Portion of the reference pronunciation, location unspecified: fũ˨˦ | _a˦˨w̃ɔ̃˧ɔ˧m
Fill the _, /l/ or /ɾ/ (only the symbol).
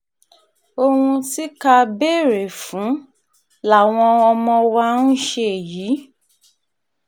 l